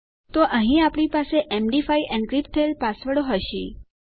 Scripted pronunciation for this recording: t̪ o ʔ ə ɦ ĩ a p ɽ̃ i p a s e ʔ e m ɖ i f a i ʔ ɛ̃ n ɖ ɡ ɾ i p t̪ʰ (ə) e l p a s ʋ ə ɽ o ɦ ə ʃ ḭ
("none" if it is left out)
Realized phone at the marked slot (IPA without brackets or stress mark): ə